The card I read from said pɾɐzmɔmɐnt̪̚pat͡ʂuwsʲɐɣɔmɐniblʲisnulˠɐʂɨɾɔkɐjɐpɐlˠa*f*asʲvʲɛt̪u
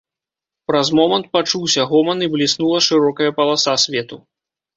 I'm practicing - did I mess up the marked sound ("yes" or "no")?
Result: yes